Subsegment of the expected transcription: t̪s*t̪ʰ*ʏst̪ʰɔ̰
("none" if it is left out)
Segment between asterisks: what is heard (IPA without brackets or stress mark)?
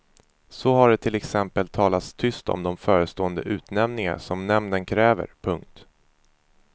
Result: t̪ʰ